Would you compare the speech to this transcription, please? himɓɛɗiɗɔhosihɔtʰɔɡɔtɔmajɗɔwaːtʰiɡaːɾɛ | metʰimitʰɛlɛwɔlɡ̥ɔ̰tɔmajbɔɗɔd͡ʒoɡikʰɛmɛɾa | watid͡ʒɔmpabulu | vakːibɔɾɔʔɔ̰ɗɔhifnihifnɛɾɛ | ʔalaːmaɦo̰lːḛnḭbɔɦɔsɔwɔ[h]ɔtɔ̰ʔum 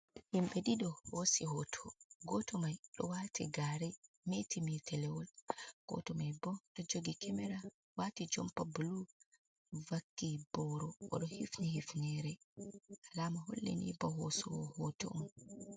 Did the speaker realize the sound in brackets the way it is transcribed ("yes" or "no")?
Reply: yes